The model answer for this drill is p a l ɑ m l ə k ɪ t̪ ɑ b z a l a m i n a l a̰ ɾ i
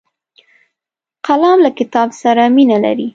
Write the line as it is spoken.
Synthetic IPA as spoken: q a l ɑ m l a k ɪ t̪ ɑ b s a ɾ a m i n a l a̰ ɾ i